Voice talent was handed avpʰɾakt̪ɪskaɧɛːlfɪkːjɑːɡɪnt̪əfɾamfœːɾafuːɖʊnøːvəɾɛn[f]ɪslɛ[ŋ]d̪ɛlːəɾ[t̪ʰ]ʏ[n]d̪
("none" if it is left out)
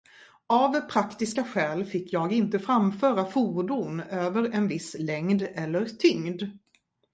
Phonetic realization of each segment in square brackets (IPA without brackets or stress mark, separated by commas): v, ŋ, t̪ʰ, ŋ